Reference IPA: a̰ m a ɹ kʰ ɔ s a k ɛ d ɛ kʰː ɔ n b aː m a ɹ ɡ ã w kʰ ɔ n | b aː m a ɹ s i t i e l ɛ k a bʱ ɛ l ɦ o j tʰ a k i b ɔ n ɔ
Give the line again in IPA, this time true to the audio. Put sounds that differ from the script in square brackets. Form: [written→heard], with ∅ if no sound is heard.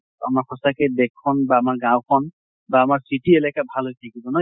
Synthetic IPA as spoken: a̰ m a ɹ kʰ ɔ s a k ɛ d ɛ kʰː ɔ n b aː m a ɹ ɡ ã w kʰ ɔ n | b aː m a ɹ s i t i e l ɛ k a bʱ [ɛ→a] l ɦ o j tʰ a k i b ɔ n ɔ